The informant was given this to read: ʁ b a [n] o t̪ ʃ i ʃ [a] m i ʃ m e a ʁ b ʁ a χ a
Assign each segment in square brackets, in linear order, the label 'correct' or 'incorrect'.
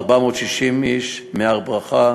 incorrect, incorrect

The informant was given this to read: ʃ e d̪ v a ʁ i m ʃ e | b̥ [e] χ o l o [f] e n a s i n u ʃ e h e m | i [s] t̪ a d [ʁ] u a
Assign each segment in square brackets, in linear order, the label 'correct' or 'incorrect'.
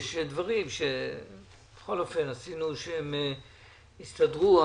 correct, correct, correct, correct

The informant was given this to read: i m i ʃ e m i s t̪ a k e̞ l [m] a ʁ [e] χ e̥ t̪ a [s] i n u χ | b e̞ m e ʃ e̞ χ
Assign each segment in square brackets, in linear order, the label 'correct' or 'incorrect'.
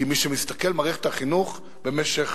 correct, incorrect, incorrect

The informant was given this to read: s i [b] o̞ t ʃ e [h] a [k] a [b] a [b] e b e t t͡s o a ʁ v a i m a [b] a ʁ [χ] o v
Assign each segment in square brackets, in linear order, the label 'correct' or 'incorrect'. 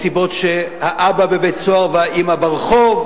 correct, correct, incorrect, correct, correct, correct, correct

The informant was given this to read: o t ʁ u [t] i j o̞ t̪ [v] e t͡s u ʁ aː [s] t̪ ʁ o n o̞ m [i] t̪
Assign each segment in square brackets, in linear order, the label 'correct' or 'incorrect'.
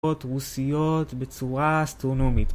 incorrect, incorrect, correct, correct

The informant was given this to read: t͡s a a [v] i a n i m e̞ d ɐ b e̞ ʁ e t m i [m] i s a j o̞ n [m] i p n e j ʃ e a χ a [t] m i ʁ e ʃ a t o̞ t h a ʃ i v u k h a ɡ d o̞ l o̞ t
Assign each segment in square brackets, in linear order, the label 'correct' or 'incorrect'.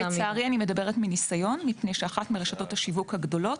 incorrect, incorrect, correct, correct

